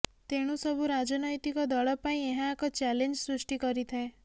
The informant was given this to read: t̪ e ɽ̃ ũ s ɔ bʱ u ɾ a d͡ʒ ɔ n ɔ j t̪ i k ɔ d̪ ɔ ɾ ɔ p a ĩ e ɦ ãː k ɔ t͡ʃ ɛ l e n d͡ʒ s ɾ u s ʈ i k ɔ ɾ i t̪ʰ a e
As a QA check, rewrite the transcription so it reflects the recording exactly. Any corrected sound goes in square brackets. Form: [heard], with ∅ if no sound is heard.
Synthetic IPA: t̪ e ɽ̃ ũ s ɔ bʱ u ɾ a d͡ʒ ɔ n ɔ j t̪ i k ɔ d̪ ɔ [ɭ] ɔ p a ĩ e ɦ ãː k ɔ t͡ʃ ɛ l e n d͡ʒ s ɾ u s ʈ i k ɔ ɾ i t̪ʰ a e